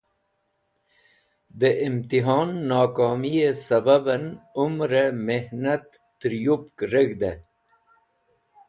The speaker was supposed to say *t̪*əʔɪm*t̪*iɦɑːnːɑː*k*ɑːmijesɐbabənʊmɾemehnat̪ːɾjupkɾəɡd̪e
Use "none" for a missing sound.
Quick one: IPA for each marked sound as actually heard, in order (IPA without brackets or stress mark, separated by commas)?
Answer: d̪, t̪, k